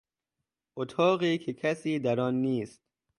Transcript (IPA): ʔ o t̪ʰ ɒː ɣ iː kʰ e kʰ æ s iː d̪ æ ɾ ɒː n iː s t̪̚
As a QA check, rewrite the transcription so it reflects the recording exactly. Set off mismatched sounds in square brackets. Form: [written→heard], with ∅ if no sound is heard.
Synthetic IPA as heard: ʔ o t̪ʰ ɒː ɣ iː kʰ e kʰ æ s iː d̪ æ ɾ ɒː [n→nː] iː s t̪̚

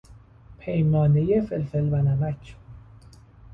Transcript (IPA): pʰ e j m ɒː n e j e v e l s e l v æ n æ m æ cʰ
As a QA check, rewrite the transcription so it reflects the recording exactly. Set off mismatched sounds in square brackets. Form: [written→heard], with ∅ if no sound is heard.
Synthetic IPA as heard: pʰ e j m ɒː n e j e [v→f] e l [s→f] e l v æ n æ m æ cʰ

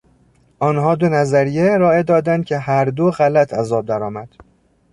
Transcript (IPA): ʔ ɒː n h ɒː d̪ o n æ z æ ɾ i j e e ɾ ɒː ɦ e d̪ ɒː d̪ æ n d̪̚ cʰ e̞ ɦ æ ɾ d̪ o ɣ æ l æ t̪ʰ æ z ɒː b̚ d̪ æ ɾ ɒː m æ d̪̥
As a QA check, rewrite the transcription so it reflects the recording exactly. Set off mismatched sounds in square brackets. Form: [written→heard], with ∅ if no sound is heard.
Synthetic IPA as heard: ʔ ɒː n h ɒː d̪ o n æ z æ ɾ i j e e ɾ ɒː [ɦ→∅] e d̪ ɒː d̪ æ n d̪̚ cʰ e̞ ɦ æ ɾ d̪ o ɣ æ l æ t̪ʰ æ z ɒː b̚ d̪ æ ɾ ɒː m æ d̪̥

